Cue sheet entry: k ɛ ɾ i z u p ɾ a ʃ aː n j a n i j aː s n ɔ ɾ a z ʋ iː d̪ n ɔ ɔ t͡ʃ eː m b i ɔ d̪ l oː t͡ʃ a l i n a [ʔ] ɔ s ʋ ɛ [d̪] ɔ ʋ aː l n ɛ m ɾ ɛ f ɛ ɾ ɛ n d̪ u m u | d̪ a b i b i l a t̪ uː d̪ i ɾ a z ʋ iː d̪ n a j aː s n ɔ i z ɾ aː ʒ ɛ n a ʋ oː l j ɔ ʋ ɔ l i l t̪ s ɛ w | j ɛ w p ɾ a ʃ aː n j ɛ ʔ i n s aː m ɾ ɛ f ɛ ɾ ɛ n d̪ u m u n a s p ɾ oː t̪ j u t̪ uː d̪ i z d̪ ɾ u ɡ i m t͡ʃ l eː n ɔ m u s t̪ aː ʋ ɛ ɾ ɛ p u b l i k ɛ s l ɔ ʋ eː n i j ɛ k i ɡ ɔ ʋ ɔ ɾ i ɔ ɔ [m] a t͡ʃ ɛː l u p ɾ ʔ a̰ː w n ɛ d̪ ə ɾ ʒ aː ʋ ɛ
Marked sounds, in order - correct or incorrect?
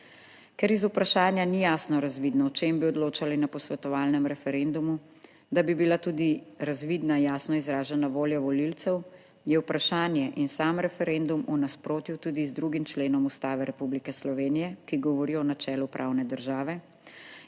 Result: incorrect: p, incorrect: t̪, incorrect: n

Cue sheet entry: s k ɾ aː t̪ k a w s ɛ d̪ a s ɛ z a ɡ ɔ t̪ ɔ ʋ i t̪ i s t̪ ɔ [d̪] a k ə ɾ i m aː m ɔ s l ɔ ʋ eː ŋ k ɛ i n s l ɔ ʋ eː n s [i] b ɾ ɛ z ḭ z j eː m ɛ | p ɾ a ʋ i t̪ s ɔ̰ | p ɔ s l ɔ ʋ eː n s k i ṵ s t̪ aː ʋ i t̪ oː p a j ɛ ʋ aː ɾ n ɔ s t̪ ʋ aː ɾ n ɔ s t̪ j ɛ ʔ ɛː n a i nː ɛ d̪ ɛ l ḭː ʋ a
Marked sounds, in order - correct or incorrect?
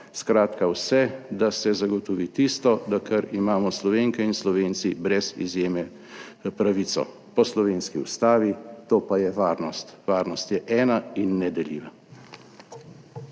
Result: correct, correct

